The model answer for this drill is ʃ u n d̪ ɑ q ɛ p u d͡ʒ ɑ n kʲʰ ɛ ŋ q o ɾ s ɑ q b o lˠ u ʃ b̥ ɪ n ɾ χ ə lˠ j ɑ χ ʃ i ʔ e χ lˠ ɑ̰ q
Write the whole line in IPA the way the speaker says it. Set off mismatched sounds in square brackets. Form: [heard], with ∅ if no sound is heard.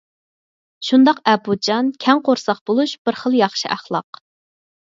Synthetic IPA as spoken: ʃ u n d̪ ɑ q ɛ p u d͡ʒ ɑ n kʲʰ ɛ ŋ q o ɾ s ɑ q b o lˠ u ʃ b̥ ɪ [∅] ɾ χ ə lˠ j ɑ χ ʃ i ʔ [æ] χ lˠ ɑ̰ q

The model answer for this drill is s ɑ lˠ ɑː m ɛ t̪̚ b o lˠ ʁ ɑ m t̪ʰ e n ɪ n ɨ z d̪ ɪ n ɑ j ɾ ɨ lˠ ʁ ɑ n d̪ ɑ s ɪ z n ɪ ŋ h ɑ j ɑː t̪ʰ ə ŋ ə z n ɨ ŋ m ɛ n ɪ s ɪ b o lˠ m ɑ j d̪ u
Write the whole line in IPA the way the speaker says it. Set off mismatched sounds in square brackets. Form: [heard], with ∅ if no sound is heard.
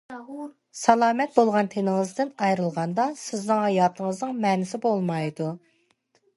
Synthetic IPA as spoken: s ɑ lˠ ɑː m ɛ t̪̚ b o lˠ ʁ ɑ [n] t̪ʰ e n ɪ [ŋ] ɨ z d̪ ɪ n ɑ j ɾ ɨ lˠ ʁ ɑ n d̪ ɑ s ɪ z n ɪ ŋ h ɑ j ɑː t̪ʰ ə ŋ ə z n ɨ ŋ m ɛ n ɪ s ɪ b o lˠ m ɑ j d̪ u

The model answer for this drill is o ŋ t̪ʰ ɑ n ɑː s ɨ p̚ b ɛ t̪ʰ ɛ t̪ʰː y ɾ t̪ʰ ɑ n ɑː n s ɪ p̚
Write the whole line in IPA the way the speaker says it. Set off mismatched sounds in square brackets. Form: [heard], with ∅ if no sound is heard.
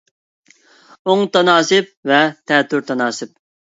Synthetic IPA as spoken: o ŋ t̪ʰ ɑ n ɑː s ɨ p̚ [v] ɛ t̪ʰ ɛ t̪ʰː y ɾ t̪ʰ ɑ n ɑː [∅] s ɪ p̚

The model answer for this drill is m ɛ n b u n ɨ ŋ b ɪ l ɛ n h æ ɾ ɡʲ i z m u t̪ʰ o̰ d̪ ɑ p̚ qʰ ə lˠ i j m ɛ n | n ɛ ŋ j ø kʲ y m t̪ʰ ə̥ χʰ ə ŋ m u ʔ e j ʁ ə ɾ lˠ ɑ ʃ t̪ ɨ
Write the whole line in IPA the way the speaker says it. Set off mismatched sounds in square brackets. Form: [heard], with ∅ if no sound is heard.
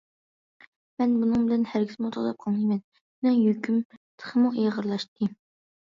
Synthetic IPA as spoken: m ɛ n b u n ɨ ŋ b ɪ l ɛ n h æ ɾ ɡʲ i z m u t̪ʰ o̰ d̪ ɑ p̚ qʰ [ɑ] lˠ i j m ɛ n | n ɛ ŋ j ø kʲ y m t̪ʰ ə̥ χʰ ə [∅] m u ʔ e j ʁ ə ɾ lˠ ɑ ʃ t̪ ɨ

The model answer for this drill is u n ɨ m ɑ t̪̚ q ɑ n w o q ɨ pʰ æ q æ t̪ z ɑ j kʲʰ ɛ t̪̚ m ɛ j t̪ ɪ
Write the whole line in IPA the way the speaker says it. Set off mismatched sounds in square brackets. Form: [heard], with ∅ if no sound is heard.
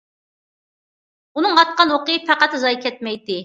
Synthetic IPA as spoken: u n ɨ [ŋ] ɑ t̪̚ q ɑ n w o q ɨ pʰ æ q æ t̪ z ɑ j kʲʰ ɛ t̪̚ m ɛ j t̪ ɪ

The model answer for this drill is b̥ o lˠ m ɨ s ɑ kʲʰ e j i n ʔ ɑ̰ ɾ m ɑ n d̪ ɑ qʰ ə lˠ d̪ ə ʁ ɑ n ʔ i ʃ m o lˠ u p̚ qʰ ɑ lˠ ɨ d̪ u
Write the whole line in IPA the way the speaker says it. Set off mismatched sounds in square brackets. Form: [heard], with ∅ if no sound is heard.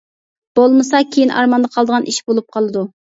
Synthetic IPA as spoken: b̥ o lˠ m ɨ s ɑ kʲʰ e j i n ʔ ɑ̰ ɾ m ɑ n d̪ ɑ qʰ [ɑ] lˠ d̪ ə ʁ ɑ n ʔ i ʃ [b] o lˠ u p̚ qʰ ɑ lˠ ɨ d̪ u

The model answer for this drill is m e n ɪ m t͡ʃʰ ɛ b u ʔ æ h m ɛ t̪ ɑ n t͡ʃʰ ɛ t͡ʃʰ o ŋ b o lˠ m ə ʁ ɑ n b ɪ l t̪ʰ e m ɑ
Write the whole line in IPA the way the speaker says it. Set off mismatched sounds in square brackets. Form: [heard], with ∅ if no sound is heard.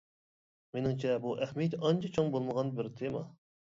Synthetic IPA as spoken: m e n ɪ [ŋ] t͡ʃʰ ɛ b u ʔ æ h m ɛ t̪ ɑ n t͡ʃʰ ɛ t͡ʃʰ o ŋ b o lˠ m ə ʁ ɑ n b ɪ [ɾ] t̪ʰ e m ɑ

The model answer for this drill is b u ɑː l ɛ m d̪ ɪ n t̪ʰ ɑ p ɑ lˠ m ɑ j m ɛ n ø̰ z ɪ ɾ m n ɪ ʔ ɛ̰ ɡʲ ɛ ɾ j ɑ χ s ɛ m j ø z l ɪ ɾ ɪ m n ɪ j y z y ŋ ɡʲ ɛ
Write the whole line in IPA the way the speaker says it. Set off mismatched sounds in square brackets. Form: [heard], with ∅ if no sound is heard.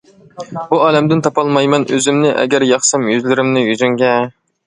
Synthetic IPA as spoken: b u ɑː l ɛ m d̪ ɪ n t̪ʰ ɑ p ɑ lˠ m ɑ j m ɛ n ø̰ z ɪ [∅] m n ɪ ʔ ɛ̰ ɡʲ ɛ ɾ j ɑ χ s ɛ m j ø z l ɪ ɾ ɪ m n ɪ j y z y ŋ ɡʲ ɛ

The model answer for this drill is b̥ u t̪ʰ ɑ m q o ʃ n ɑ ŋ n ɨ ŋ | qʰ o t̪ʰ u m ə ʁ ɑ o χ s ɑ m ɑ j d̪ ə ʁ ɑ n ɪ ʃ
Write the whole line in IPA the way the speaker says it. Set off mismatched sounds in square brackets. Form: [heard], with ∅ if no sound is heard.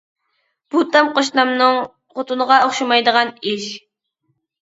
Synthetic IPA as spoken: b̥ u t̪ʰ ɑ m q o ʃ n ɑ [m] n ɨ ŋ | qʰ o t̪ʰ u [n] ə ʁ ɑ o χ [ʃ] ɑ m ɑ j d̪ ə ʁ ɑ n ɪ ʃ

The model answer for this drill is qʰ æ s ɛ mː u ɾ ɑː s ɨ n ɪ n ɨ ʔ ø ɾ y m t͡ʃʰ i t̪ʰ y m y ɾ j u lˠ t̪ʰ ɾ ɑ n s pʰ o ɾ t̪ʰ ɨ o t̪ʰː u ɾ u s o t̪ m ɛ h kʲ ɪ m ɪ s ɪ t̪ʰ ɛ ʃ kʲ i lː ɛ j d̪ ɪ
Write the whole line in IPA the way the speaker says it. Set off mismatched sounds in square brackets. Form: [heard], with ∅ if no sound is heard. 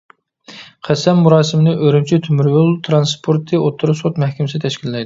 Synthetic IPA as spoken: qʰ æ s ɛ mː u ɾ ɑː s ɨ [m] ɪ n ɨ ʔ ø ɾ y m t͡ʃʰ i t̪ʰ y m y ɾ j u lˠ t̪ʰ ɾ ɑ n s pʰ o ɾ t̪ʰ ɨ o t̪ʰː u ɾ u s o t̪ m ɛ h kʲ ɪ m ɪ s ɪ t̪ʰ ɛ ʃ kʲ i lː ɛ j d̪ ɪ

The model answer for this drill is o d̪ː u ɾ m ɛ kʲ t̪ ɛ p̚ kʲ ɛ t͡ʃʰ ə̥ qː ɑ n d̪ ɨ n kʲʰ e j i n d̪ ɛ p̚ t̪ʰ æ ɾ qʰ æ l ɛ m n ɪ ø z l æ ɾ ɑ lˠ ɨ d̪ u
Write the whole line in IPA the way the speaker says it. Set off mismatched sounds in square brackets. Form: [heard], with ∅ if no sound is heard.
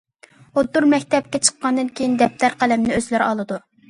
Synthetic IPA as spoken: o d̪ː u ɾ m ɛ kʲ t̪ ɛ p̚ kʲ ɛ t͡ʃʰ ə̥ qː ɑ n d̪ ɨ n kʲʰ e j i n d̪ ɛ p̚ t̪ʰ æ ɾ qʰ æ l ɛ m n ɪ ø z l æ ɾ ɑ lˠ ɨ d̪ u

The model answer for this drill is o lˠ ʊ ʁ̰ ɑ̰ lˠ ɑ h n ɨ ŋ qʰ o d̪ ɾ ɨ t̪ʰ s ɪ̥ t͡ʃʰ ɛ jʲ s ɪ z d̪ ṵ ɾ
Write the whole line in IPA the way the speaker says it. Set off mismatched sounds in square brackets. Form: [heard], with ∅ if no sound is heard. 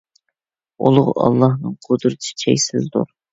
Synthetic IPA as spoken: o lˠ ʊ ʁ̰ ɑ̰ [lˠː] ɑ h n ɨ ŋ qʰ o d̪ ɾ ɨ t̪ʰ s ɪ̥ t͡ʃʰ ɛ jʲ s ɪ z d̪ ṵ ɾ

